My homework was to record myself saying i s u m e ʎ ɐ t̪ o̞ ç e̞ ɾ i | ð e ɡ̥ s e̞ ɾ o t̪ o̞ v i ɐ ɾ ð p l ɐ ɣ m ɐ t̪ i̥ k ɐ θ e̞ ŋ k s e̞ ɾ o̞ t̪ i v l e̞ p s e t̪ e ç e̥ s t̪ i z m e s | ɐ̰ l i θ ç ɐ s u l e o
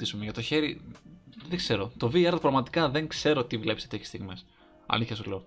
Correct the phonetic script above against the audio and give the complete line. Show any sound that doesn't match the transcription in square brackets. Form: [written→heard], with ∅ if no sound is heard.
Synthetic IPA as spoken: i s u m e [ʎ→ʝ] ɐ t̪ o̞ ç e̞ ɾ i | ð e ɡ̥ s e̞ ɾ o t̪ o̞ v i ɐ ɾ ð p [l→ɾ] ɐ ɣ m ɐ t̪ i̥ k ɐ [θ→ð] e̞ ŋ k s e̞ ɾ o̞ t̪ i v l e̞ p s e t̪ e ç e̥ s t̪ i [z→ɣ] m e s | ɐ̰ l i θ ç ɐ s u l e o